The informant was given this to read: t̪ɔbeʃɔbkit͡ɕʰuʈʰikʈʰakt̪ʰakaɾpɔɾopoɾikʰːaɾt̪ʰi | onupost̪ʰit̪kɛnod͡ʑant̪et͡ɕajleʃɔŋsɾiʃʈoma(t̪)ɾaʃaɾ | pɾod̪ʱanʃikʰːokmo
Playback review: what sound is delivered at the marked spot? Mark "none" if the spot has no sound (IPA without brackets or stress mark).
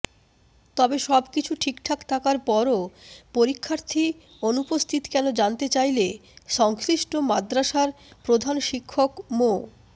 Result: d̪